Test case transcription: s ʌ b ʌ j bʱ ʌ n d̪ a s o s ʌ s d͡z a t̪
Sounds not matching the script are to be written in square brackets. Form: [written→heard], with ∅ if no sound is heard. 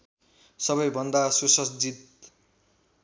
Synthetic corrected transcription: s ʌ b ʌ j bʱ ʌ n d̪ a s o s ʌ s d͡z [a→i] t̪